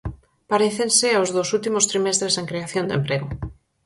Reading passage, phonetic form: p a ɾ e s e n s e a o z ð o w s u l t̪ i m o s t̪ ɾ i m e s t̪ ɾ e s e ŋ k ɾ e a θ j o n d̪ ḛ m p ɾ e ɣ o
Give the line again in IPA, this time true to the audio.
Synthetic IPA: p a ɾ e θ e n s e a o z ð o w s u l t̪ i m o s t̪ ɾ i m e s t̪ ɾ e s e ŋ k ɾ e a θ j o n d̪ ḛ m p ɾ e ɣ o